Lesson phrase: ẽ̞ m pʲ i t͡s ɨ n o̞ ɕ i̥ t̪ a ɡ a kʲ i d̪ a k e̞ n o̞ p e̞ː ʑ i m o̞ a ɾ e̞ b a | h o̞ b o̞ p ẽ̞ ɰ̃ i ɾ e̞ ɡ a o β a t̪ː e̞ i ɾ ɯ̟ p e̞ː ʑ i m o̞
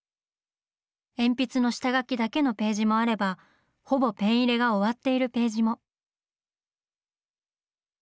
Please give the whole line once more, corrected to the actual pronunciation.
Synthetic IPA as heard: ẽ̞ m pʲ i t͡s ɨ n o̞ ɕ i̥ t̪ a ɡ a kʲ i d̪ a k e̞ n o̞ p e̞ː ʑ i m o̞ a ɾ e̞ b a | h o̞ b o̞ p ẽ̞ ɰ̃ i ɾ e̞ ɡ a o β a t̪ː e̞ i ɾ ɯ̟ p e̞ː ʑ i m o̞

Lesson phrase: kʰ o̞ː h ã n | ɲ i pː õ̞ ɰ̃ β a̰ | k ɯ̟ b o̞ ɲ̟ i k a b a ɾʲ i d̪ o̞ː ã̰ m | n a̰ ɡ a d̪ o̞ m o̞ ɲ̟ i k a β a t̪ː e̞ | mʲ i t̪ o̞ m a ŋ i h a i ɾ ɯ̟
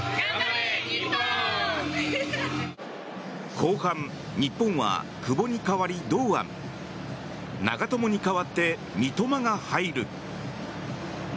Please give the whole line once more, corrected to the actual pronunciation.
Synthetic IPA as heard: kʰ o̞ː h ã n | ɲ i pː õ̞ ɰ̃ β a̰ | k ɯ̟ b o̞ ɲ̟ i k a β a ɾʲ i d̪ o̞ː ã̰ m | n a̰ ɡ a t̪ o̞ m o̞ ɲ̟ i k a β a t̪ː e̞ | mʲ i t̪ o̞ m a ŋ a h a i ɾ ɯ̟

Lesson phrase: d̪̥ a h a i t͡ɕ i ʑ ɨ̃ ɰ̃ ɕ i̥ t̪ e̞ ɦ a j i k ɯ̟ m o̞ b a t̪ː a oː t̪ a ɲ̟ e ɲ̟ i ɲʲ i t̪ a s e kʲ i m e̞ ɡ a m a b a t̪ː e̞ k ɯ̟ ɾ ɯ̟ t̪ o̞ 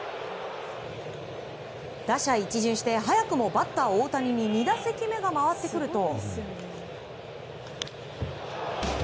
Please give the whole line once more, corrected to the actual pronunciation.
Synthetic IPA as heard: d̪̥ a ɕ a i t͡ɕ i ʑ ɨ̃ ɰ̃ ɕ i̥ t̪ e̞ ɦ a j a k ɯ̟ m o̞ b a t̪ː a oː t̪ a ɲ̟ i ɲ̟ i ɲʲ i d̪ a s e kʲ i m e̞ ɡ a m a β a t̪ː e̞ k ɯ̟ ɾ ɯ̟ t̪ o̞

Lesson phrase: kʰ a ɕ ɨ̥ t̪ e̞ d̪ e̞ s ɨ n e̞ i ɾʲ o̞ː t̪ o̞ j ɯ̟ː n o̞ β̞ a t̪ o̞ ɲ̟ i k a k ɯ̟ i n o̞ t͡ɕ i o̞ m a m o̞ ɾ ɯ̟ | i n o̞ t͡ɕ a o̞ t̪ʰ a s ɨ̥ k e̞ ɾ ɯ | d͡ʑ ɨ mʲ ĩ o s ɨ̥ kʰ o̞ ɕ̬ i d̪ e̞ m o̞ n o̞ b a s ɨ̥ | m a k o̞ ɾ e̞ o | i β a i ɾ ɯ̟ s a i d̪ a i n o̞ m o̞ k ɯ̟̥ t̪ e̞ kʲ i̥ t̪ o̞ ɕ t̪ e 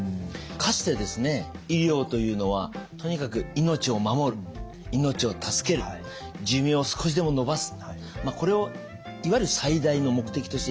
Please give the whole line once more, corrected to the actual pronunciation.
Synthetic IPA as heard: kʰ a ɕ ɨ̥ t̪ e̞ d̪ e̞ s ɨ n e̞ i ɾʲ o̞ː t̪ o̞ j ɯ̟ː n o̞ β̞ a t̪ o̞ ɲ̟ i k a k ɯ̟ i n o̞ t͡ɕ i o̞ m a m o̞ ɾ ɯ̟ | i n o̞ t͡ɕ i o̞ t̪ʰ a s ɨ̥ k e̞ ɾ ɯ | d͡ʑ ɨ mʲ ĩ o s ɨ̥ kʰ o̞ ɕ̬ i d̪ e̞ m o̞ n o̞ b a s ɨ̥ | m a k o̞ ɾ e̞ o | i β a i ɾ ɯ̟ s a i d̪ a i n o̞ m o̞ k ɯ̟̥ t̪ e̞ kʲ i̥ t̪ o̞ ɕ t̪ e

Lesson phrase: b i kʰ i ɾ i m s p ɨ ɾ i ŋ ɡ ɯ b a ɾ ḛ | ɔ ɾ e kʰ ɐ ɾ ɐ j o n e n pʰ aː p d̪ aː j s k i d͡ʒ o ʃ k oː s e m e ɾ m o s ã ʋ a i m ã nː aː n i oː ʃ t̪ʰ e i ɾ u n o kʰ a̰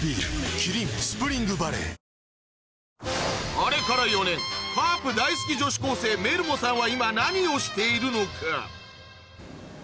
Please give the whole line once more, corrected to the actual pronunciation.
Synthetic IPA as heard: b i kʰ i ɾ i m s p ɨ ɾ i ŋ ɡ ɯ b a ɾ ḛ | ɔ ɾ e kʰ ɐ ɾ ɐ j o n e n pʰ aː p d̪ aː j s k i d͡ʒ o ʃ k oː s e m e ɾ m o s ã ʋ a i m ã n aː n i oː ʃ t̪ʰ e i ɾ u n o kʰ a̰

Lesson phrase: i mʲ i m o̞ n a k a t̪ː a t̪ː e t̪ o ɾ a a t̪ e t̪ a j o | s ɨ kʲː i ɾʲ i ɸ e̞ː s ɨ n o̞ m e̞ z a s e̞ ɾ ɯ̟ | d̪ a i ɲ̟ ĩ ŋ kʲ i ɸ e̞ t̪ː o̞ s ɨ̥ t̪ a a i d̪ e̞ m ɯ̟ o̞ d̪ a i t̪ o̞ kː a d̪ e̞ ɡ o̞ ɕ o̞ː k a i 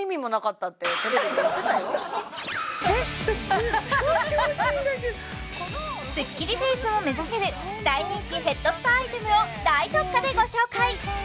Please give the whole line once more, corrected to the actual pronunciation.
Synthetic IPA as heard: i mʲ i m o̞ n a k a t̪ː a t̪ː e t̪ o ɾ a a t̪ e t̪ a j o | s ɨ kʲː i ɾʲ i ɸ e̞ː s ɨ m o̞ m e̞ z a s e̞ ɾ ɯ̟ | d̪ a i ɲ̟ ĩ ŋ kʲ i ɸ e̞ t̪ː o̞ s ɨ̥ t̪ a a i t̪ e̞ m ɯ̟ o̞ d̪ a i t̪ o̞ kː a d̪ e̞ ɡ o̞ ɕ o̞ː k a i

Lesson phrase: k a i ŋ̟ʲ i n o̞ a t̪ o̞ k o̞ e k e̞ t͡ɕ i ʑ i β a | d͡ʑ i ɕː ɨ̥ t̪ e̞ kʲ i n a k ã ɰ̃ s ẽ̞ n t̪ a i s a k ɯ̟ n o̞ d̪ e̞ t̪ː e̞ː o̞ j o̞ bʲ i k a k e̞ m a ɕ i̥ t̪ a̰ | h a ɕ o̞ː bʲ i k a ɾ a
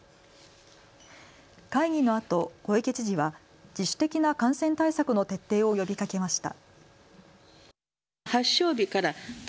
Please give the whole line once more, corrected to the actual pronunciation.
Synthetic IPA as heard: k a i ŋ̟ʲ i n o̞ a t̪ o̞ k o̞ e k e̞ t͡ɕ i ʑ i β a | d͡ʑ i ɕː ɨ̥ t̪ e̞ kʲ i n a k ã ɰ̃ s ẽ̞ n t̪ a i s a k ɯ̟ n o̞ t̪ e̞ t̪ː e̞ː o̞ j o̞ bʲ i k a k e̞ m a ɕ i̥ t̪ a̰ | h a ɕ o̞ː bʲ i k a ɾ a

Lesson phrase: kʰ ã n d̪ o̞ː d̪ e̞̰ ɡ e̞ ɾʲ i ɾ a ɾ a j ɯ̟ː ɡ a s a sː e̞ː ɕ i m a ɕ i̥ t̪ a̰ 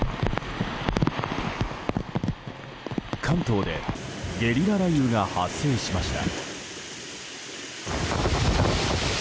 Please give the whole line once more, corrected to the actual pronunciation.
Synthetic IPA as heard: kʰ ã n t̪ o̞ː d̪ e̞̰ ɡ e̞ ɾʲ i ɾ a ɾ a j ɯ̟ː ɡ a h a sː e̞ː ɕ i m a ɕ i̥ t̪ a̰

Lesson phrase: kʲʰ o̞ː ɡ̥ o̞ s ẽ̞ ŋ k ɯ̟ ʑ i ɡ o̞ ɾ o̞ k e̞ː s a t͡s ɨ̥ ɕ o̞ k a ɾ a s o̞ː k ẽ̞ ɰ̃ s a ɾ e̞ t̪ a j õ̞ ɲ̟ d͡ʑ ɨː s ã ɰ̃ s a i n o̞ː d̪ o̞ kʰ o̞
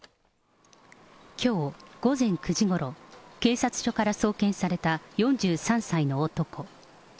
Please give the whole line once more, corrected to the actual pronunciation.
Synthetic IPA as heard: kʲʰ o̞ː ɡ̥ o̞ z ẽ̞ ŋ k ɯ̟ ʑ i ɡ o̞ ɾ o̞ k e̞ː s a t͡s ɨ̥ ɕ o̞ k a ɾ a s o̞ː k ẽ̞ ɰ̃ s a ɾ e̞ t̪ a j õ̞ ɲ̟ d͡ʑ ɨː s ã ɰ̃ s a i n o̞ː t̪ o̞ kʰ o̞

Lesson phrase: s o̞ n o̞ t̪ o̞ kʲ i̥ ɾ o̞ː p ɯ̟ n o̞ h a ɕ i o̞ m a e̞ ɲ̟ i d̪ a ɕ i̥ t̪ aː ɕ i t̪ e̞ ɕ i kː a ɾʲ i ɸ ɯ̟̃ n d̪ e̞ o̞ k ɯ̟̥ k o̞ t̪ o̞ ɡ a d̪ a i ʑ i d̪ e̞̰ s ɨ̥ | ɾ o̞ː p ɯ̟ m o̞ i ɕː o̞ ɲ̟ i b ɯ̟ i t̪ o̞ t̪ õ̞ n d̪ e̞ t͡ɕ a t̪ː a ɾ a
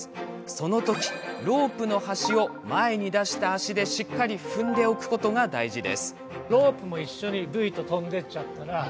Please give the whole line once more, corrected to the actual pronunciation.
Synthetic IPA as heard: s o̞ n o̞ t̪ o̞ kʲ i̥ ɾ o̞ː p ɯ̟ n o̞ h a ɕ i o̞ m a e̞ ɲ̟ i d̪ a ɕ i̥ t̪ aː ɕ i d̪ e̞ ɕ i kː a ɾʲ i ɸ ɯ̟̃ n d̪ e̞ o̞ k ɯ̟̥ k o̞ t̪ o̞ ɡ a d̪ a i ʑ i d̪ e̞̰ s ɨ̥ | ɾ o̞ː p ɯ̟ m o̞ i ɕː o̞ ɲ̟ i b ɯ̟ i t̪ o̞ t̪ õ̞ n d̪ e̞ t͡ɕ a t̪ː a ɾ a

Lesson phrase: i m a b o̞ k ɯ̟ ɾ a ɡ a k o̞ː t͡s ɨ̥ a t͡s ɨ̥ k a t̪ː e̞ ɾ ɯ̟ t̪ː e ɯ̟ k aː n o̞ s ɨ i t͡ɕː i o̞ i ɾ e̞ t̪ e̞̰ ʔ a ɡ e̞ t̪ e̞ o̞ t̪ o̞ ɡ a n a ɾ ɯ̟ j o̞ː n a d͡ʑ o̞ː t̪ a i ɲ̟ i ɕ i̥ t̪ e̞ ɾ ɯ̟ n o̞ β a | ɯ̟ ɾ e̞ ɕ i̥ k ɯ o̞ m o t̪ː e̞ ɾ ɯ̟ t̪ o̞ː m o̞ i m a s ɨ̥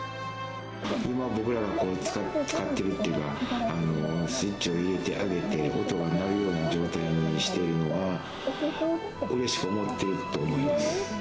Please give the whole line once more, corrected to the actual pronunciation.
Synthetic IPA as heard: i m a b o̞ k ɯ̟ ɾ a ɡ a k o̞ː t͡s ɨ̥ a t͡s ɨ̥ k a t̪ː e̞ ɾ ɯ̟ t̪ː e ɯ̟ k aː n o̞ s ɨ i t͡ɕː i o̞ i ɾ e̞ t̪ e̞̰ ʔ a ɡ e̞ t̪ e̞ o̞ t̪ o̞ ɡ a n a ɾ ɯ̟ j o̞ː n a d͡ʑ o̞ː t̪ a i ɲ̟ i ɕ i̥ t̪ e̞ ɾ ɯ̟ n o̞ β a | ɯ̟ ɾ e̞ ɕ i̥ k ɯ o̞ m o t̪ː e̞ ɾ ɯ̟ t̪ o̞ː m o̞ i m a s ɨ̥

